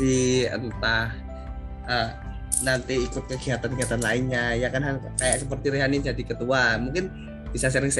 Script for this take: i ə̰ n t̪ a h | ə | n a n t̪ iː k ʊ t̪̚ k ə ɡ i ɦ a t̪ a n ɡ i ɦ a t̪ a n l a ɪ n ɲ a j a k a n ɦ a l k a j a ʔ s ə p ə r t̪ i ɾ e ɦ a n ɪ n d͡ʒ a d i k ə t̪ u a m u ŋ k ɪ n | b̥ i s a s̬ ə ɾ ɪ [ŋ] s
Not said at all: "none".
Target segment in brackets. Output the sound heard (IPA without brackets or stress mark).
ŋ